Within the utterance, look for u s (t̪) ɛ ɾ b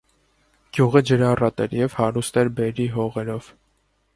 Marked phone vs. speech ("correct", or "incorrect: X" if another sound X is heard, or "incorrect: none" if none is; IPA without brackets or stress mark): correct